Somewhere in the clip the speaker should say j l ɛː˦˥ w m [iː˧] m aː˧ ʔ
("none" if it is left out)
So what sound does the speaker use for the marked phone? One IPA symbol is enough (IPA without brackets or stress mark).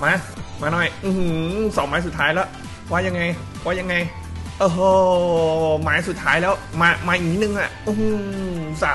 aː˧